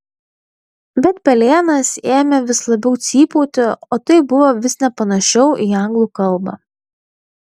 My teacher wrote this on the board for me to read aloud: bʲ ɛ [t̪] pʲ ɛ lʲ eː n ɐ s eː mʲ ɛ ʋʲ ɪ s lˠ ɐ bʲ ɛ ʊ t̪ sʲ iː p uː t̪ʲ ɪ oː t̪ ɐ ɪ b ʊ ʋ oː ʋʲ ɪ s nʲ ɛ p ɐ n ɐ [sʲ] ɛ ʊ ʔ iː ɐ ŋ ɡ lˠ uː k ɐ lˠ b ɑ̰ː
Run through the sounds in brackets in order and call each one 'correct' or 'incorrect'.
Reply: correct, incorrect: ʃʲ

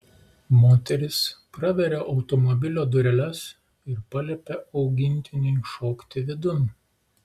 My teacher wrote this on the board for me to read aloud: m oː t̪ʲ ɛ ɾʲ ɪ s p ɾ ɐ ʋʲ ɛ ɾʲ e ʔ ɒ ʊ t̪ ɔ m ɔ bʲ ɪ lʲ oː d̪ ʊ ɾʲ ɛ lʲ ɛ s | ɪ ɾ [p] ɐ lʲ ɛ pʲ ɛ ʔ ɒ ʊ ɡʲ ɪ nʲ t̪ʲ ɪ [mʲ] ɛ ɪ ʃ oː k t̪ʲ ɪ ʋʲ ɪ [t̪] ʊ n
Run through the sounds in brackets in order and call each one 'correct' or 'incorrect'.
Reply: correct, incorrect: nʲ, incorrect: d̪

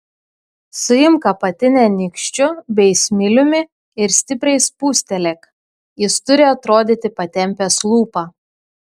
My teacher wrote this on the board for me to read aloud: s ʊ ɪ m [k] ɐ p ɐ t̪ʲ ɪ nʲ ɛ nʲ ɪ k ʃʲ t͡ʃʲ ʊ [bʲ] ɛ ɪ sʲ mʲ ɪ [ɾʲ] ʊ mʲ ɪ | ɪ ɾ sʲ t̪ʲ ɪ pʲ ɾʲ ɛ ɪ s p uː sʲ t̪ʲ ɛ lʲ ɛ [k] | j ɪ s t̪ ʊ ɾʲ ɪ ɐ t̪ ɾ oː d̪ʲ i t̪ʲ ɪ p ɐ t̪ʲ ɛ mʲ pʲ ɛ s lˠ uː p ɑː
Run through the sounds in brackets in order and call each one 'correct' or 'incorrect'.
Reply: correct, correct, incorrect: lʲ, correct

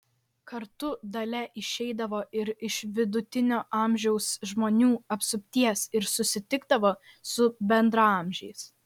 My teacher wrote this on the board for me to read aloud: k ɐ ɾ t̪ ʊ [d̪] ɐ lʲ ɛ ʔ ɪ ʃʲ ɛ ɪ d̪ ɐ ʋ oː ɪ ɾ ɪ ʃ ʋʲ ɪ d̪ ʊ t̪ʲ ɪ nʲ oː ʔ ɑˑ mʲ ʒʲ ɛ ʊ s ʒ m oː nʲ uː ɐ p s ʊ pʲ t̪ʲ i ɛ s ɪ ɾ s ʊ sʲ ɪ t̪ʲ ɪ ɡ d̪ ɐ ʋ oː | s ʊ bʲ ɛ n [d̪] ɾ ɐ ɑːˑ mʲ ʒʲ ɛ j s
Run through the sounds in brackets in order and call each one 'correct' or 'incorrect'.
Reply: correct, correct

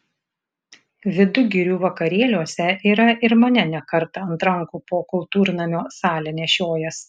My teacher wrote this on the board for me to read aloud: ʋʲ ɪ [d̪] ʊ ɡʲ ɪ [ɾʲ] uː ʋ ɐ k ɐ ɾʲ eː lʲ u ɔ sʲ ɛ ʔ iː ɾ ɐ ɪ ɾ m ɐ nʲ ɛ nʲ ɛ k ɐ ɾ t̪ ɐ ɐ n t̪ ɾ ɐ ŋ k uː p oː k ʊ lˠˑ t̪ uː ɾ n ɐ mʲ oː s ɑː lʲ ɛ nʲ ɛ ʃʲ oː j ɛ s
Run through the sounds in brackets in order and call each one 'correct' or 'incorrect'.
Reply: correct, correct

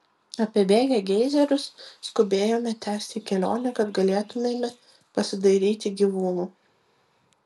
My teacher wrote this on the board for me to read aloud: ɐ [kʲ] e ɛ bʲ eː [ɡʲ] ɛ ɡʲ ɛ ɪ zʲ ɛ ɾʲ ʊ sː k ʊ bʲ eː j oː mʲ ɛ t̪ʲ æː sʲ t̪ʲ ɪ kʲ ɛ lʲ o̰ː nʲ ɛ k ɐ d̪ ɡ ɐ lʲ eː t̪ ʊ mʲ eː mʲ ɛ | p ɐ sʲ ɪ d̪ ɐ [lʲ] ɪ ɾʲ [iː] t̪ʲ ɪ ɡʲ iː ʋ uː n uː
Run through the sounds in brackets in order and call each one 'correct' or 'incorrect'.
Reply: incorrect: pʲ, correct, incorrect: none, correct

